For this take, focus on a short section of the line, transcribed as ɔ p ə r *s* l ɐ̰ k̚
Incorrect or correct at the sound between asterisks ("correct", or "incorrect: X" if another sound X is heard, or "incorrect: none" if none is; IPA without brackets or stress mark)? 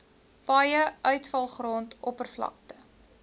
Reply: incorrect: f